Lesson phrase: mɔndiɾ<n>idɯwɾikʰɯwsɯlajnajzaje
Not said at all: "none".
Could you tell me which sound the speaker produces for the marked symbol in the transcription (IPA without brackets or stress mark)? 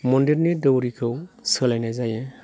n